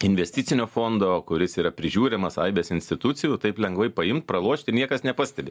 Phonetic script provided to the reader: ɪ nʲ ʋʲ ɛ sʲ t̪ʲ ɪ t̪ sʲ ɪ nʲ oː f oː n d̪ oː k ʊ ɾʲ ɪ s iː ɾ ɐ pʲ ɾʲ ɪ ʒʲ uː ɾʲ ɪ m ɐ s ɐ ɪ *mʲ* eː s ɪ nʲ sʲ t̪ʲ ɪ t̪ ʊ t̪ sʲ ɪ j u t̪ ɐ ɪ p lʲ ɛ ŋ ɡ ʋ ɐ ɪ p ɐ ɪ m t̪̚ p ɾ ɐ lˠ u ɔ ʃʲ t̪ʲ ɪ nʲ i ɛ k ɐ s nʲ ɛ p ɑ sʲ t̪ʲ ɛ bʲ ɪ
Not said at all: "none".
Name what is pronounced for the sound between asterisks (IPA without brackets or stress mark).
bʲ